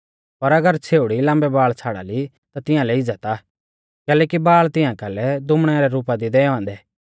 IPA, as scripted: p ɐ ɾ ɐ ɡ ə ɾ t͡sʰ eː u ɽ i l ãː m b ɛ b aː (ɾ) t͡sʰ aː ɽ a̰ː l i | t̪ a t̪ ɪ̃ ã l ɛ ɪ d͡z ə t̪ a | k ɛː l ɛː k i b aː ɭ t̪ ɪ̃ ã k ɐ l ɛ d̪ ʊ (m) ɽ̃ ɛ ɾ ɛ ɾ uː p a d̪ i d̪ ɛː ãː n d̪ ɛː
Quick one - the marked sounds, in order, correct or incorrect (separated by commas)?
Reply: incorrect, correct